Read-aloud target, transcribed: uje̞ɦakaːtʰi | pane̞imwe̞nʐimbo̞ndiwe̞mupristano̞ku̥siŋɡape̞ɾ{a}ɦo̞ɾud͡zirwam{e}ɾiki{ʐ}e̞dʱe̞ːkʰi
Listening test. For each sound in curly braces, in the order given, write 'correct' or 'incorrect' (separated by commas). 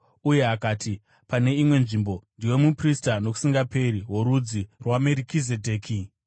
incorrect, correct, incorrect